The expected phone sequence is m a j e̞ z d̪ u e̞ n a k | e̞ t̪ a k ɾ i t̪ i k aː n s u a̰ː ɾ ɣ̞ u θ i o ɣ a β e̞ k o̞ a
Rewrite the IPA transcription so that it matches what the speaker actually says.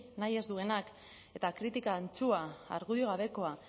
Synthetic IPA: n a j e̞ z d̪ u e̞ n a k | e̞ t̪ a k ɾ i t̪ i k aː n t͡s u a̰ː ɾ ɣ̞ u ð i o ɣ a β e̞ k o̞ a